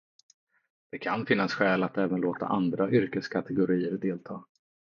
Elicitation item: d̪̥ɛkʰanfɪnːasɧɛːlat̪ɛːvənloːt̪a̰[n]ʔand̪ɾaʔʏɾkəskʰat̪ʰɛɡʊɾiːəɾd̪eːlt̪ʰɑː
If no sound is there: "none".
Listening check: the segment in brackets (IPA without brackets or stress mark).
none